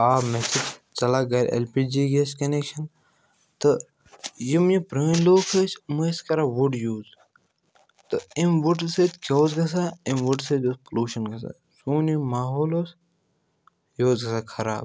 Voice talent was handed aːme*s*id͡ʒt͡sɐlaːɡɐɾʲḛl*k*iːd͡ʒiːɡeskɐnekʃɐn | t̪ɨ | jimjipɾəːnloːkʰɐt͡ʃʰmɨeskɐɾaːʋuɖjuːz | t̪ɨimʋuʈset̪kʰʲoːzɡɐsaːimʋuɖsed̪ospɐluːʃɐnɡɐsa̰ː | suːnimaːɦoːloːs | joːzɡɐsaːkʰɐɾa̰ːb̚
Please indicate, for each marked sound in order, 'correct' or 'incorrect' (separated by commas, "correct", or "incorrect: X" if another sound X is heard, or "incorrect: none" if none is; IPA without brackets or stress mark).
correct, incorrect: p